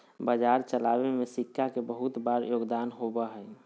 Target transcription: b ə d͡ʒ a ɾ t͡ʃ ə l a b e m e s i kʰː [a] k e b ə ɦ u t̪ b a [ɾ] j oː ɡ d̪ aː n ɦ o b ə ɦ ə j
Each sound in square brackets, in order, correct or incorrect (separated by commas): correct, correct